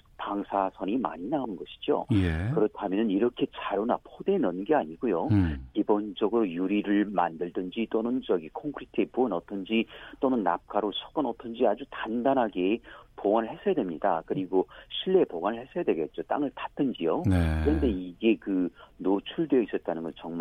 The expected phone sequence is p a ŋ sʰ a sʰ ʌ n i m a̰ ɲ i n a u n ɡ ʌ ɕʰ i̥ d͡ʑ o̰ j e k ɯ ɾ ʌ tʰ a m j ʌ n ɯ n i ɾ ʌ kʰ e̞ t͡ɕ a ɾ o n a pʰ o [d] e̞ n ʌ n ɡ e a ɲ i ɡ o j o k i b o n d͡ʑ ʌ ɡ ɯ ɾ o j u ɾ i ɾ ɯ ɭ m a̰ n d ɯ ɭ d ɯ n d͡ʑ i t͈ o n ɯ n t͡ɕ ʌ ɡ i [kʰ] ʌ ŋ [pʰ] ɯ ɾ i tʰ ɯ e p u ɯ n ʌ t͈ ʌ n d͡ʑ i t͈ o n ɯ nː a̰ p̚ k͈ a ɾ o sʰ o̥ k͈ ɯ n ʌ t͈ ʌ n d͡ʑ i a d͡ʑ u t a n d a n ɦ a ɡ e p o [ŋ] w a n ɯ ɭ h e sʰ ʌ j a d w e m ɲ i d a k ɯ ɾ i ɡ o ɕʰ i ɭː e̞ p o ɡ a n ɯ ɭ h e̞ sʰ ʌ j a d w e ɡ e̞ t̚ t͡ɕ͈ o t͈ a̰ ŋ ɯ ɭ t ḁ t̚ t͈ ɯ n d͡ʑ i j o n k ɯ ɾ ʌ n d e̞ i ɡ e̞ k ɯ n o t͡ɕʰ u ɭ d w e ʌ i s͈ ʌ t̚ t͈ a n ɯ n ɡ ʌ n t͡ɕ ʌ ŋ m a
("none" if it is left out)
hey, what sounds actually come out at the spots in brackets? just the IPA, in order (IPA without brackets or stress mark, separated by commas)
d, kʰ, kʰ, ɡ